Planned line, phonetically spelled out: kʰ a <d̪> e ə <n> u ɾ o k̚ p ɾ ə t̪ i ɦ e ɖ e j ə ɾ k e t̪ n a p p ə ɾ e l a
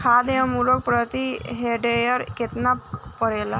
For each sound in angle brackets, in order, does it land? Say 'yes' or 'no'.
yes, no

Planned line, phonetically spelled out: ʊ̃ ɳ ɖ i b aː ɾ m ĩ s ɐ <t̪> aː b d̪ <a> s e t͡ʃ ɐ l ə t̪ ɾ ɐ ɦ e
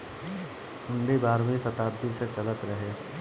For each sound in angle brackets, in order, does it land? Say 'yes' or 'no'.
yes, no

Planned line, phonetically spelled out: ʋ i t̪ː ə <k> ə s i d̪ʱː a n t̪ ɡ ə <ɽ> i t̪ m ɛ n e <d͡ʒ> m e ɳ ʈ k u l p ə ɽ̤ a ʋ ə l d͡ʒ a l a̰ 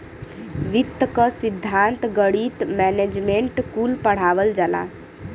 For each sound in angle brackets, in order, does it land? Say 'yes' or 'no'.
yes, yes, yes

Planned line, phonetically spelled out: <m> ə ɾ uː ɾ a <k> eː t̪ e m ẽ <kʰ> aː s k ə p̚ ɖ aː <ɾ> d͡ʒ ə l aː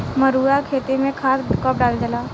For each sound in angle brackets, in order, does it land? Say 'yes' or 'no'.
yes, no, yes, no

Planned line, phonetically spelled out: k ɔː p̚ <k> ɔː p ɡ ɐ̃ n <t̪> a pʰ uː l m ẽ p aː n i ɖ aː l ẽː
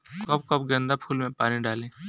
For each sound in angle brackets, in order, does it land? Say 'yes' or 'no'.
yes, no

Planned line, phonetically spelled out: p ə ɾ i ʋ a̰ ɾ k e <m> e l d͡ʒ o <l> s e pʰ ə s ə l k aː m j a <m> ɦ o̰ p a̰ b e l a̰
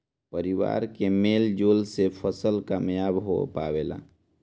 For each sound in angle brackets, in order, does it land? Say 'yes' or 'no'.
yes, yes, no

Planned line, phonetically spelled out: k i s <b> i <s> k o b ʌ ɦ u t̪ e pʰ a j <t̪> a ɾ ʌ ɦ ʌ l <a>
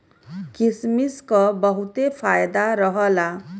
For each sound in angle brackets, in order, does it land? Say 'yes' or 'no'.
no, yes, no, yes

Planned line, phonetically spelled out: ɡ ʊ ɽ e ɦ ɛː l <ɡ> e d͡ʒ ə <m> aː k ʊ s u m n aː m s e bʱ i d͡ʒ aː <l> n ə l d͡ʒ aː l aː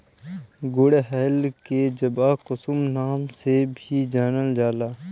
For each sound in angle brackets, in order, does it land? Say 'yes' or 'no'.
no, no, no

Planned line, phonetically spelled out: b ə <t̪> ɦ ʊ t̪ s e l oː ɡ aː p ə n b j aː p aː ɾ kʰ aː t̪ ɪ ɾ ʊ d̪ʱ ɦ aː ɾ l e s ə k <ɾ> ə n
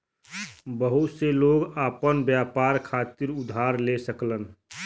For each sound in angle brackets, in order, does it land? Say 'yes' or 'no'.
no, no

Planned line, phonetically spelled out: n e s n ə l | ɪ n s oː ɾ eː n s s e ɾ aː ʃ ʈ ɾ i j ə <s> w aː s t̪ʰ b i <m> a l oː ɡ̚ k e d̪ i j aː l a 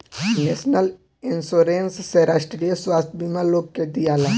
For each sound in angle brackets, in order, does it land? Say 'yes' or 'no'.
yes, yes

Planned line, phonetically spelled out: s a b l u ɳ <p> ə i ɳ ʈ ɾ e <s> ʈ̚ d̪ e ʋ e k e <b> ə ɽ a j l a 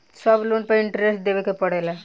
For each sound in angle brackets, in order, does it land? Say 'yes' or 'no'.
yes, yes, no

